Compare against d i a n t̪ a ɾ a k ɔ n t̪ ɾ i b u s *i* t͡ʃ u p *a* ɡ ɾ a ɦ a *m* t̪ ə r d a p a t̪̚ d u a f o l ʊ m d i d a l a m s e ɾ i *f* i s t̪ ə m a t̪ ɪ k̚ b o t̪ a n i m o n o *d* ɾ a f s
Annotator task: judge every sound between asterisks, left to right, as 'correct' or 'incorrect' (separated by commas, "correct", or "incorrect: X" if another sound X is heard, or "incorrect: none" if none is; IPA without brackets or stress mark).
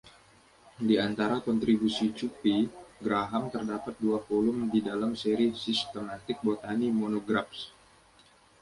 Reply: correct, incorrect: i, correct, incorrect: s, incorrect: ɡ